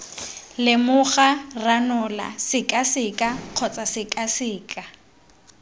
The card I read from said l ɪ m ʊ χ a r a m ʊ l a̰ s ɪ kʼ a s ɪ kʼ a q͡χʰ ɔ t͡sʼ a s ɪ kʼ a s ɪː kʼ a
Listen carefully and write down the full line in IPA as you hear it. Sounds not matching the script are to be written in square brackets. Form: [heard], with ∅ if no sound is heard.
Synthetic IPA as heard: l ɪ m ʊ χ a r a [n] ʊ l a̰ s ɪ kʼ a s ɪ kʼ a q͡χʰ ɔ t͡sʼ a s ɪ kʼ a s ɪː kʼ a